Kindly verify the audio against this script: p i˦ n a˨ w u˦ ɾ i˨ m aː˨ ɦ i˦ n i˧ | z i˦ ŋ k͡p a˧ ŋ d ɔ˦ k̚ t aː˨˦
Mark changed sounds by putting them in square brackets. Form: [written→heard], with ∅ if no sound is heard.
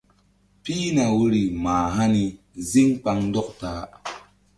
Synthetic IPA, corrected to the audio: p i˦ n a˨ w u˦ ɾ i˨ m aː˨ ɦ [i˦→a˦] n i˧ | z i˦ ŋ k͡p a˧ ŋ d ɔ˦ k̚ t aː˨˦